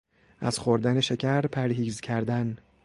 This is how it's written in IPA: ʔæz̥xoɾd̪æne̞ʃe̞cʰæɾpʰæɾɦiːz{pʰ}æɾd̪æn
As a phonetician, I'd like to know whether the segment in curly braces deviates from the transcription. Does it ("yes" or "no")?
yes